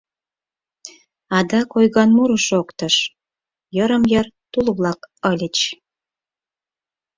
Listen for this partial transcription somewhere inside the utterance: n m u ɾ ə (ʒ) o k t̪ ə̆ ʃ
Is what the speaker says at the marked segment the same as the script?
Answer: no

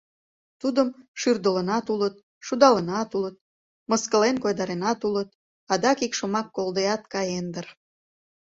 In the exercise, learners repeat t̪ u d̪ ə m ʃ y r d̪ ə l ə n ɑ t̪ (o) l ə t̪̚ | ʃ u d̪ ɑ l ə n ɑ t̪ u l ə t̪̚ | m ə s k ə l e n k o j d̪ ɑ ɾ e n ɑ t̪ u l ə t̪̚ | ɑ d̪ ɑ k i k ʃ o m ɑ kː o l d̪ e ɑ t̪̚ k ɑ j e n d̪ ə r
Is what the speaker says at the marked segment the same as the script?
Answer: no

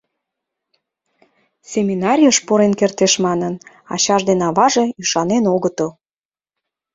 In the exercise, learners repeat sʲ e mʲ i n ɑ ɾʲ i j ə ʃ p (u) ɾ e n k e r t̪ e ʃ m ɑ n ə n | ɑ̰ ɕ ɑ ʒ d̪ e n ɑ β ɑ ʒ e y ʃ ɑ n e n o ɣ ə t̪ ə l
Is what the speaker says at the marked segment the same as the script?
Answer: no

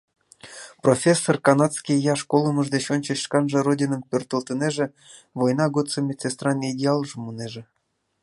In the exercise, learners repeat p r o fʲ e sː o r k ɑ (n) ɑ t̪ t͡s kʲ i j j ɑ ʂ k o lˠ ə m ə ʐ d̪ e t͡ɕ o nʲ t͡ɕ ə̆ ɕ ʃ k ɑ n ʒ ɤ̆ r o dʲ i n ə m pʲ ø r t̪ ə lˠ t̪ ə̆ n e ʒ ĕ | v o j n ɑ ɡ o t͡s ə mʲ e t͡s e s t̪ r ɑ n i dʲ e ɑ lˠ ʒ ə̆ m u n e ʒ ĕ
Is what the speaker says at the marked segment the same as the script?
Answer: yes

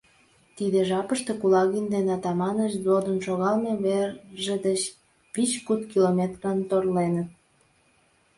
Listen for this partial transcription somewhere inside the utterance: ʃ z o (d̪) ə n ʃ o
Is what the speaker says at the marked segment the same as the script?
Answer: yes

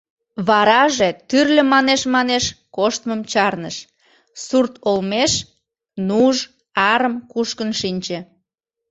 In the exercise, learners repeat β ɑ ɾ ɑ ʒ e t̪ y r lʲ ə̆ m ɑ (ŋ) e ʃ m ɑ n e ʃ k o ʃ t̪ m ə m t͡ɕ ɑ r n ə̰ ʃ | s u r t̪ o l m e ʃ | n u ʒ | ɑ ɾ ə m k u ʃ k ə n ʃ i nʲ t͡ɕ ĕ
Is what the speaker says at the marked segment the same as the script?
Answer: no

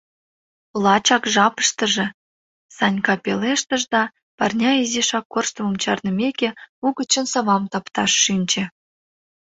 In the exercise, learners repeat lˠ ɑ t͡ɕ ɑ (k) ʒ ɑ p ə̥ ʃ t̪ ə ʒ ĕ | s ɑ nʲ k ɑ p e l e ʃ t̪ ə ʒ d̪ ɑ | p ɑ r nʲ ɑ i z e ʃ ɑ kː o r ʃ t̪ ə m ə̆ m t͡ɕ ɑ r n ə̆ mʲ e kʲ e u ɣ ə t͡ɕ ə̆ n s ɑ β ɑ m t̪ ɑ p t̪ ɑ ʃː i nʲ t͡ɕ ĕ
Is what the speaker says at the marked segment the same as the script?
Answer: yes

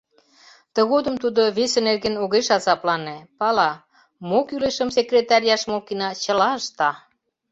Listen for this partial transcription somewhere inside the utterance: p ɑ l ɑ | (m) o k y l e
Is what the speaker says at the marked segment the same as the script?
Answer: yes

